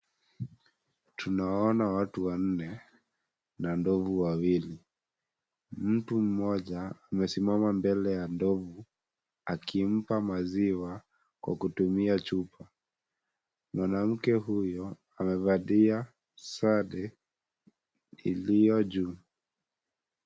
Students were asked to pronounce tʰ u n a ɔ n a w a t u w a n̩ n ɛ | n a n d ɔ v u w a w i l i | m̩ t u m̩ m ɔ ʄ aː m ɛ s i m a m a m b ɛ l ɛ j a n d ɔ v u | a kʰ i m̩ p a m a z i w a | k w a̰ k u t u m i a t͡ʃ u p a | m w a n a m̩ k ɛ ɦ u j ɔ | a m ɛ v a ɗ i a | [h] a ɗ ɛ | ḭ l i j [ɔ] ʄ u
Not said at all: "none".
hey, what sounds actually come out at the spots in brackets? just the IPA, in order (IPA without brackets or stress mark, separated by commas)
s, ɔ